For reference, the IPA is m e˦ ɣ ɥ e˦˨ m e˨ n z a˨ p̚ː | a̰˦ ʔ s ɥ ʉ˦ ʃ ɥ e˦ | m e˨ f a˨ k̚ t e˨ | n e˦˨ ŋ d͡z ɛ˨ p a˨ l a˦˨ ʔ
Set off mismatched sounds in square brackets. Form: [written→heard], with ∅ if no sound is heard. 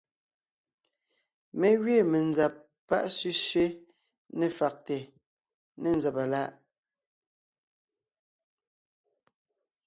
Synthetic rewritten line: m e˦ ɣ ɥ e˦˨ m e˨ n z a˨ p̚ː | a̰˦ ʔ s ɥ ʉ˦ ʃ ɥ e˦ | [m→n] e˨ f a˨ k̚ t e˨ | n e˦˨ [ŋ→n] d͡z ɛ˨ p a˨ l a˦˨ ʔ